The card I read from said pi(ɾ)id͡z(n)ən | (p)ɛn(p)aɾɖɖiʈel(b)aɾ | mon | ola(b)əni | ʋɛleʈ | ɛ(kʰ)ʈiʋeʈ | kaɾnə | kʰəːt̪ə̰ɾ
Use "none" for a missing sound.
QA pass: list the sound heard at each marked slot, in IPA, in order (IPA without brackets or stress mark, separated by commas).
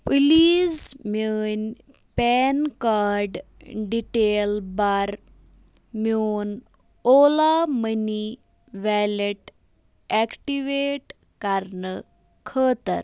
l, m, p, k, b, m, k